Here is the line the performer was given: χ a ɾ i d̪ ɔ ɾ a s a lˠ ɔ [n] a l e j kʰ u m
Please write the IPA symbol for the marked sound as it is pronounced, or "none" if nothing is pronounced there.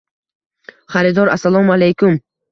m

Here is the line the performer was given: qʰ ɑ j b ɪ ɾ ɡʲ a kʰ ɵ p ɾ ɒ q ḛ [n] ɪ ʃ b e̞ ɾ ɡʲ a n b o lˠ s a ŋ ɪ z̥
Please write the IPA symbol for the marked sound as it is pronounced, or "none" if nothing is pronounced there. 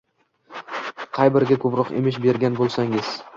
m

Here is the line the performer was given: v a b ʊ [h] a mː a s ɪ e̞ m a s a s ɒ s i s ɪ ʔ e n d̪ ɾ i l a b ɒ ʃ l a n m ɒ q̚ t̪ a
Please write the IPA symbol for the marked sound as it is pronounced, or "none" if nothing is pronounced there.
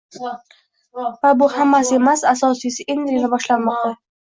h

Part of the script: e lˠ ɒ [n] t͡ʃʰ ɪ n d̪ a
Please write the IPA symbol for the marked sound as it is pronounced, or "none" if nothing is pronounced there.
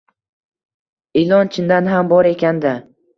n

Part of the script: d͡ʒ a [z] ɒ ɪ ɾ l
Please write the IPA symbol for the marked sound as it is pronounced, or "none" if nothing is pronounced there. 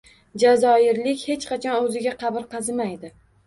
z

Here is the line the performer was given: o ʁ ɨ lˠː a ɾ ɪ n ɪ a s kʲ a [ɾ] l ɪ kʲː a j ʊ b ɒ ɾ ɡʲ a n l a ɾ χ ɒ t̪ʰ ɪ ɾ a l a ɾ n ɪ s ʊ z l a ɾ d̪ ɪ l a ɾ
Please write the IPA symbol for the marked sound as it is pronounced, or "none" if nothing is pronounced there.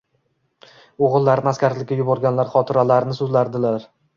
ɾ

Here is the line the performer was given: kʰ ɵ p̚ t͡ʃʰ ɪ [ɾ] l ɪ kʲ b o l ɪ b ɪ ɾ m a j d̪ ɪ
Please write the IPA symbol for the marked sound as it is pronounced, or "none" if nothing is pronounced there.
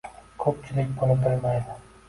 none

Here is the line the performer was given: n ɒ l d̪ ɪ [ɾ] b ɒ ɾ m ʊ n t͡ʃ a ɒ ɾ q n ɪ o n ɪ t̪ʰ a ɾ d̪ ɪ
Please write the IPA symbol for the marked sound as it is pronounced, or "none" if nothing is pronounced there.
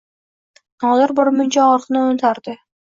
ɾ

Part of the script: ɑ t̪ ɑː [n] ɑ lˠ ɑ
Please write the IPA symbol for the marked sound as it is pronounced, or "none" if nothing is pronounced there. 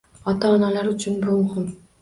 n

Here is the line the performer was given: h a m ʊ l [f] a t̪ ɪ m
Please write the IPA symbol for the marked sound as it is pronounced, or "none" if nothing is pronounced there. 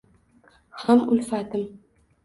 f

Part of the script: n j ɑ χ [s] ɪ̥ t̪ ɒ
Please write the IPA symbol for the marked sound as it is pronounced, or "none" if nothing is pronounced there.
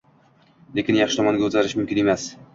ʃ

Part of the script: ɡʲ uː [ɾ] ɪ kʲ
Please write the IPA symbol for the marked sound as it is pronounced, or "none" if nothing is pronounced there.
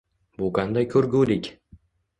l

